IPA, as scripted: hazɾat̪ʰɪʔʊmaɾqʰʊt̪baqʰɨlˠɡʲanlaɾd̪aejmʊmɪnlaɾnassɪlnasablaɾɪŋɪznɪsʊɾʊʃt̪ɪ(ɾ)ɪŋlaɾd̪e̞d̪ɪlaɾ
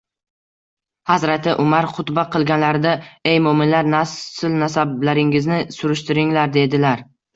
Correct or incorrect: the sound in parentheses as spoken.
correct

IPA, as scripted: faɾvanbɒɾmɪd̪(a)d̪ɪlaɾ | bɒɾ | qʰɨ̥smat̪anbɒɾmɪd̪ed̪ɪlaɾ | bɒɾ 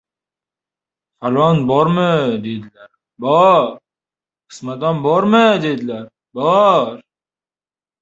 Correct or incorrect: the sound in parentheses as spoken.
incorrect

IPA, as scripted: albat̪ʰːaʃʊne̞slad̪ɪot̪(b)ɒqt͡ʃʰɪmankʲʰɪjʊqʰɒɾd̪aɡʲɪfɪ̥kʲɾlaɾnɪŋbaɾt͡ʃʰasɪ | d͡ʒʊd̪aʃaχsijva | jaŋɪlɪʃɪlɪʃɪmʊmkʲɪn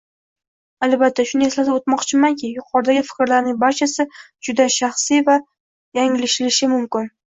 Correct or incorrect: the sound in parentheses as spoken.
incorrect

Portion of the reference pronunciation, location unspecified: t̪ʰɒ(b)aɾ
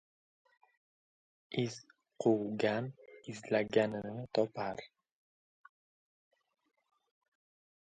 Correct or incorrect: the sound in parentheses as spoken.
incorrect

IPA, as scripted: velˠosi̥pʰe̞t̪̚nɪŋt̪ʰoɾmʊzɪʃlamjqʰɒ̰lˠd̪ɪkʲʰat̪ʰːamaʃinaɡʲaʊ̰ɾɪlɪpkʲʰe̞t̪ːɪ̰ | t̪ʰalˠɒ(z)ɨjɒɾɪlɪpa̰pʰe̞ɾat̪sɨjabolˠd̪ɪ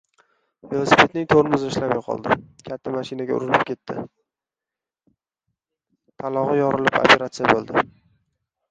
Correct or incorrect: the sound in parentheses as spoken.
incorrect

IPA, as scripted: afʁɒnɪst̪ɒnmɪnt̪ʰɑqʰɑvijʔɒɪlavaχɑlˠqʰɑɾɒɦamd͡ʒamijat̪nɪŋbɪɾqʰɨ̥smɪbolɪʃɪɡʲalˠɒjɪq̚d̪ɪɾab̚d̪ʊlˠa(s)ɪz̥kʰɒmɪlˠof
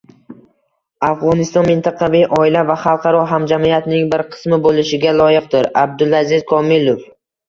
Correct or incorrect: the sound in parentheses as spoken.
incorrect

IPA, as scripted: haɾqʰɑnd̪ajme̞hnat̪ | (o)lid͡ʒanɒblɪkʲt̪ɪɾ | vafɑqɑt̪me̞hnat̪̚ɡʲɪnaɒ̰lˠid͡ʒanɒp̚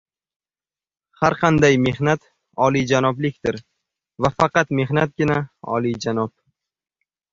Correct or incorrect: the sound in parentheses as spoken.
incorrect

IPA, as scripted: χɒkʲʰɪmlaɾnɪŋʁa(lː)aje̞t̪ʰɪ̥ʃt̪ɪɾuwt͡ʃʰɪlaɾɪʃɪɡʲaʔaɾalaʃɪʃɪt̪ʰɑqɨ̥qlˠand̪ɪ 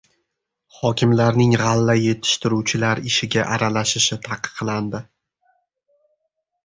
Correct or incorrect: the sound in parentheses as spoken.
correct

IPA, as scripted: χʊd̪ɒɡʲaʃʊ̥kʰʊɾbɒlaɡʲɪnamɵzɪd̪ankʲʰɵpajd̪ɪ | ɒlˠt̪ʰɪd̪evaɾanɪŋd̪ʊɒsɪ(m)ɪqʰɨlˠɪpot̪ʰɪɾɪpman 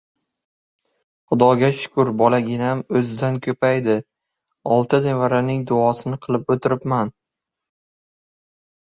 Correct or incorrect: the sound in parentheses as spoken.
incorrect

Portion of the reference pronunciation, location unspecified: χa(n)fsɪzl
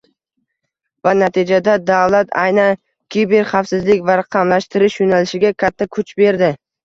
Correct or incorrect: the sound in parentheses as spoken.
incorrect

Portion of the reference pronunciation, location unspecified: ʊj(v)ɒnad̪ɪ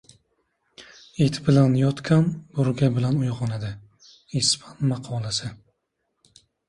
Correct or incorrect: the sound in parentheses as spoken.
incorrect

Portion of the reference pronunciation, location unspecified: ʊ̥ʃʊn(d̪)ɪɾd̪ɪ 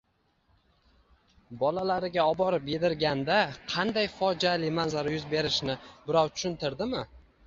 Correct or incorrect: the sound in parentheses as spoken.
incorrect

